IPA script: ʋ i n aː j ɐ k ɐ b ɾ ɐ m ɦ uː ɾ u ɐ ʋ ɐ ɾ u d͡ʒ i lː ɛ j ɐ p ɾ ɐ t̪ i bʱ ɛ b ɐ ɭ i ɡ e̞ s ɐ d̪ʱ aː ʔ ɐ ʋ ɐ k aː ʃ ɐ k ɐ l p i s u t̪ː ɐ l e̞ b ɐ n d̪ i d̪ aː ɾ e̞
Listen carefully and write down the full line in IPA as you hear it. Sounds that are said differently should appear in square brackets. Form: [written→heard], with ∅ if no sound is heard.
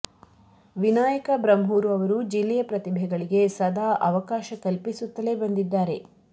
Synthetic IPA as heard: ʋ i n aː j ɐ k ɐ b ɾ ɐ m ɦ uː ɾ u ɐ ʋ ɐ ɾ u d͡ʒ i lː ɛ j ɐ p ɾ ɐ t̪ i bʱ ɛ [b→ɡ] ɐ ɭ i ɡ e̞ s ɐ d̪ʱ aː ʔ ɐ ʋ ɐ k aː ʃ ɐ k ɐ l p i s u t̪ː ɐ l e̞ b ɐ n d̪ i [d̪→d̪ː] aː ɾ e̞